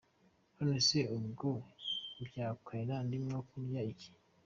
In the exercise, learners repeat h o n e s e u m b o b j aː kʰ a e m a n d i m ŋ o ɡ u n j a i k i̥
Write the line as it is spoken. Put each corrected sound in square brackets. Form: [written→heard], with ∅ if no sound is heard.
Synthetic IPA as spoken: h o n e s e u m [b→ɡ] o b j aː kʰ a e [m→n] a n d i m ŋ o [ɡ→k] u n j a i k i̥